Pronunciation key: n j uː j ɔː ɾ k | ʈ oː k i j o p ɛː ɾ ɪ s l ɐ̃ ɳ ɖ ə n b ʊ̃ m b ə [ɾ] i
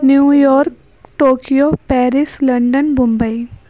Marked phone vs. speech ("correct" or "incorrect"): incorrect